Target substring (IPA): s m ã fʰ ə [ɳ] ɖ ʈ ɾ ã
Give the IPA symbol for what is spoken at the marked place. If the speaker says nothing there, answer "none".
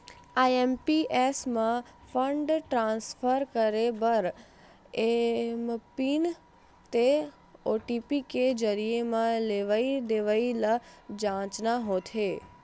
ɳ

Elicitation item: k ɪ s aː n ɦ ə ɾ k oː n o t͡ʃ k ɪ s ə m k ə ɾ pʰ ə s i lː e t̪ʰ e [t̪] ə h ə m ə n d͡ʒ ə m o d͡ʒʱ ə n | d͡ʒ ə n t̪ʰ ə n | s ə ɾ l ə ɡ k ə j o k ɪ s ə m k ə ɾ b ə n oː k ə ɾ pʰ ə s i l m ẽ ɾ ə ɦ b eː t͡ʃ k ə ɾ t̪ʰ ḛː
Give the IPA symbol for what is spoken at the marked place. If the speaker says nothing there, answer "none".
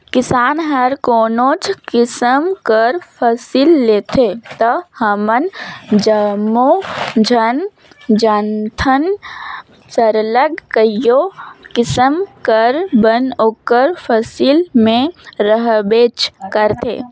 t̪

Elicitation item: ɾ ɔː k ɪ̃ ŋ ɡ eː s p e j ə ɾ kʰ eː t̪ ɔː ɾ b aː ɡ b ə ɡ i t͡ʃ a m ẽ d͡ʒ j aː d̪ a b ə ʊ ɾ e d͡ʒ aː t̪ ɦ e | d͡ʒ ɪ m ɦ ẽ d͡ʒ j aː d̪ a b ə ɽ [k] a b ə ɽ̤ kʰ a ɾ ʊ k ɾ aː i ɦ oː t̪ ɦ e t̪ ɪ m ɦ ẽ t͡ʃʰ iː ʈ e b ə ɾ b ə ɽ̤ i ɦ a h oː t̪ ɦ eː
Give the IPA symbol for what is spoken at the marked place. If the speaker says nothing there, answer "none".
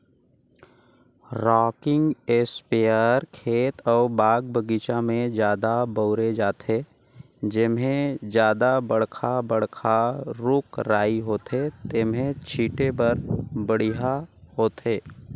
kʰ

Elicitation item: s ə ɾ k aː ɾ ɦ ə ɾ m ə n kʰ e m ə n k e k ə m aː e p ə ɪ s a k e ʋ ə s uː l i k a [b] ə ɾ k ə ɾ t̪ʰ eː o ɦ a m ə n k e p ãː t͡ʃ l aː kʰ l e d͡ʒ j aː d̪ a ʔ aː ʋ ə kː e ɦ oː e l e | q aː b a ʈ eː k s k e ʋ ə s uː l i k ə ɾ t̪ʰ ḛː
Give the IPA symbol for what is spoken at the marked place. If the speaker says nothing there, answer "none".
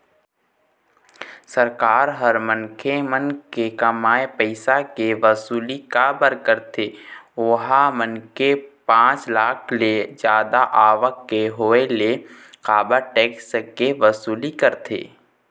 b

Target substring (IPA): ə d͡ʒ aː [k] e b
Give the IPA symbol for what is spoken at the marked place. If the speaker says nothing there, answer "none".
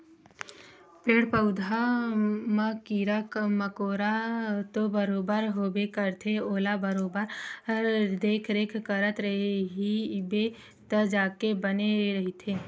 k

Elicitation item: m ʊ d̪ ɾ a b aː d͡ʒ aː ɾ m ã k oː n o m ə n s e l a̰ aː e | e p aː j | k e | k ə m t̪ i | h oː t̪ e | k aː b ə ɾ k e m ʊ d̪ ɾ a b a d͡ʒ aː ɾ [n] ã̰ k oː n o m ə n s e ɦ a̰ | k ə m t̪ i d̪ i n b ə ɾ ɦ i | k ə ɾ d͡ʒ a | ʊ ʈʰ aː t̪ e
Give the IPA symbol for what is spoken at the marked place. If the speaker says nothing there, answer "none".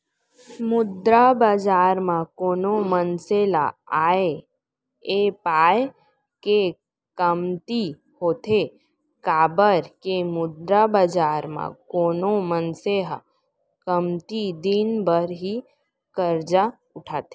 m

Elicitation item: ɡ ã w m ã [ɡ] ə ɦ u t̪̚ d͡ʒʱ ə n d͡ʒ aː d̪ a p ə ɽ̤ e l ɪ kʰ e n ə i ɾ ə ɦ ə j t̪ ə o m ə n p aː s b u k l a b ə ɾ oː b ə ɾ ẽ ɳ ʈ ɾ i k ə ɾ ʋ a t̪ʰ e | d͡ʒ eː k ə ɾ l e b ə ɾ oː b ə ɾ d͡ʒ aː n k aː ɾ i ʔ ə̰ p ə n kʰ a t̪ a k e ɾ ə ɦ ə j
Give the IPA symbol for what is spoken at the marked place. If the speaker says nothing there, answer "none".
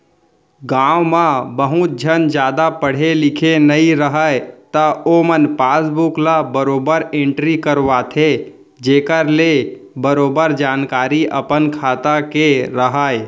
b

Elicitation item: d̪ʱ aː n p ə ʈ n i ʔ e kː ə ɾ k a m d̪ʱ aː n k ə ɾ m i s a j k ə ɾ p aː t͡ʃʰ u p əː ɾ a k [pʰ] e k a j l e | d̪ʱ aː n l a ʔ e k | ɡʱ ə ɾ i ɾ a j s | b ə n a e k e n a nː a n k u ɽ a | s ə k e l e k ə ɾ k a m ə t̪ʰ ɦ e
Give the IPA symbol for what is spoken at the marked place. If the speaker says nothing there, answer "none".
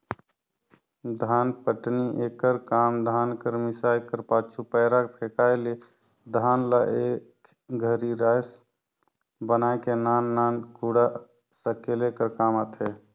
pʰ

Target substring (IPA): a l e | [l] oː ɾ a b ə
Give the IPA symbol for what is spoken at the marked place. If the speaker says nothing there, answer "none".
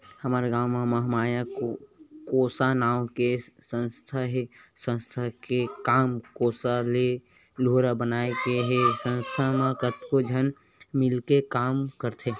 l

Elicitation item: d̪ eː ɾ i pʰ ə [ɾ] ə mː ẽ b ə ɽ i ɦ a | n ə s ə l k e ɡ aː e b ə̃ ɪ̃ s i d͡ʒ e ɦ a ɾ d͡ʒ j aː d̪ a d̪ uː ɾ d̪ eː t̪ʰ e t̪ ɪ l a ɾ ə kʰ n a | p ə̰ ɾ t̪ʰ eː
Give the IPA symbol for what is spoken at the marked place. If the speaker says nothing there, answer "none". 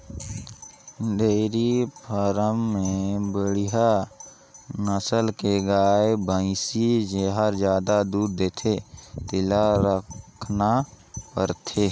ɾ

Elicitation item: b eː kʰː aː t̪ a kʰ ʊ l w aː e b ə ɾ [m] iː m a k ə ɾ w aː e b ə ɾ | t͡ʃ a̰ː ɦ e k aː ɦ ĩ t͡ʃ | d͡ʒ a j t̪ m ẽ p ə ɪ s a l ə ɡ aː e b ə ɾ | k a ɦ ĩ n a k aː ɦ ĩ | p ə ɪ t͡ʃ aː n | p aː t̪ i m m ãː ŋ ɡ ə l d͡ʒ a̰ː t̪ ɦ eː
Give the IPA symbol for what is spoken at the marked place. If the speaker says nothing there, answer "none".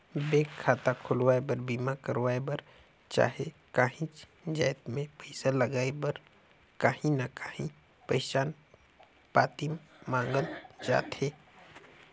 b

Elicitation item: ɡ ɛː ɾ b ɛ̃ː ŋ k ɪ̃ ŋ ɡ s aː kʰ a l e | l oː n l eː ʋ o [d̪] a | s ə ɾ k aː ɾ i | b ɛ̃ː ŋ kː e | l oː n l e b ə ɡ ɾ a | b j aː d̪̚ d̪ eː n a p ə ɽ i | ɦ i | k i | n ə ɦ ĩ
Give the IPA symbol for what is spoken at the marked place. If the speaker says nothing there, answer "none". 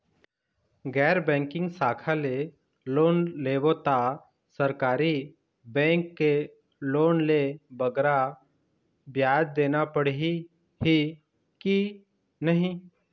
t̪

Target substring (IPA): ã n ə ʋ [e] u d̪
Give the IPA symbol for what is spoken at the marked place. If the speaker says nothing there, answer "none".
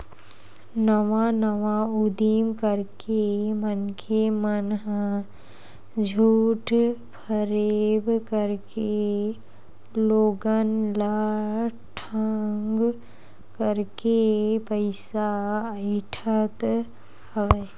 a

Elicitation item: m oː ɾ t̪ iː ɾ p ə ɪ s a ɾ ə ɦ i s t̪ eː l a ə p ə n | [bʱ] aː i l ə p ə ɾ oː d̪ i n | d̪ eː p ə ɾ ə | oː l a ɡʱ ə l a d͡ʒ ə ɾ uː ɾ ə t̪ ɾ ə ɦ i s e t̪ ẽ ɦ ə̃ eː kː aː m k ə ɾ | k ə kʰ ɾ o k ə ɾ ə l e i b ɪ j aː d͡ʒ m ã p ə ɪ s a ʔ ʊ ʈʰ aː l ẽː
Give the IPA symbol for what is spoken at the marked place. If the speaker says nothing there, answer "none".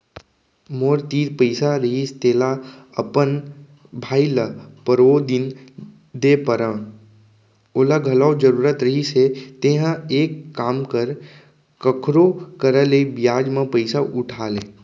bʱ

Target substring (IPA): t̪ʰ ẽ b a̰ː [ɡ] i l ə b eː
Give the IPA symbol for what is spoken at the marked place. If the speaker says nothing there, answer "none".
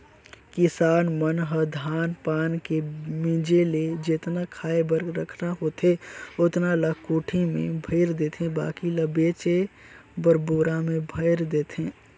k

